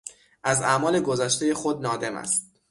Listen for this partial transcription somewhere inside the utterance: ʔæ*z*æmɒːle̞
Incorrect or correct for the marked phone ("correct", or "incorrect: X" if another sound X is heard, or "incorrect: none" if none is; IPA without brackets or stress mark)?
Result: correct